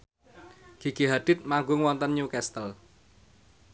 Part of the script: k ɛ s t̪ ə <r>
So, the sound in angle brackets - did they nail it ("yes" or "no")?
no